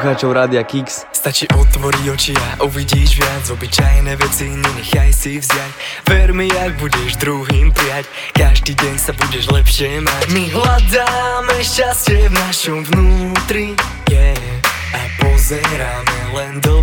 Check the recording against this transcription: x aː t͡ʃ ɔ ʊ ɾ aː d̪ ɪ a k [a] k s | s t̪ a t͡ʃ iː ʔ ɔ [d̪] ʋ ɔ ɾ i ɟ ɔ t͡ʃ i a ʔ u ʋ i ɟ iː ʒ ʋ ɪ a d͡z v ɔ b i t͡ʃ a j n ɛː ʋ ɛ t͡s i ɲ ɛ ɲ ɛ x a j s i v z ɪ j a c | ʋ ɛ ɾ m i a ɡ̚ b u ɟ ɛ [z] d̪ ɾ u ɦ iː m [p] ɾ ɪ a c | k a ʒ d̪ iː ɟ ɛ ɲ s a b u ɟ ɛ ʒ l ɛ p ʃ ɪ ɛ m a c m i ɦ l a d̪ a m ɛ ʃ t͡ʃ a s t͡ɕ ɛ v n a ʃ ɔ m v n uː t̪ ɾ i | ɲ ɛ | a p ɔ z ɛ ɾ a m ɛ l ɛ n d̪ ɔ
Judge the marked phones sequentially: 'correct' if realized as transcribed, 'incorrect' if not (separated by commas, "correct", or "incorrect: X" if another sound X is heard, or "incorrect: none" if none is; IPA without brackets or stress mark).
incorrect: i, incorrect: t̪, incorrect: ʒ, correct